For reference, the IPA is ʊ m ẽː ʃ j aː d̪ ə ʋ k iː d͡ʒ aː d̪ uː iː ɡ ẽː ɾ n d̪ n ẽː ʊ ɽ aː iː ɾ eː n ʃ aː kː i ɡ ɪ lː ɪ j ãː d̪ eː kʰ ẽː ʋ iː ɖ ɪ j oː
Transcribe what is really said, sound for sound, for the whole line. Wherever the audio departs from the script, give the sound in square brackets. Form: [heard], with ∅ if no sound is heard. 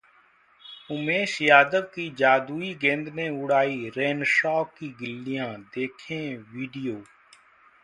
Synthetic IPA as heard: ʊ m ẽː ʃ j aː d̪ ə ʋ k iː d͡ʒ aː d̪ uː iː ɡ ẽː [∅] n d̪ n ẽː ʊ ɽ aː iː ɾ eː n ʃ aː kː [iː] ɡ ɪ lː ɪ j ãː d̪ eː kʰ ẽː ʋ iː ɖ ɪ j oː